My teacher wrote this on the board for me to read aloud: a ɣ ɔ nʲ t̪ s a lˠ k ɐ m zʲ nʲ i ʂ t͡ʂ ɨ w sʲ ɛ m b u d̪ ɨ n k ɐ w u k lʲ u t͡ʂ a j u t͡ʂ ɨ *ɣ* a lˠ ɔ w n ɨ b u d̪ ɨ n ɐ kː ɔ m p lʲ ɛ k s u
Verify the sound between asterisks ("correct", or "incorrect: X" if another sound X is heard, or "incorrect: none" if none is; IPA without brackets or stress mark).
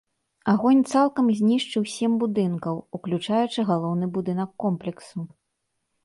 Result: correct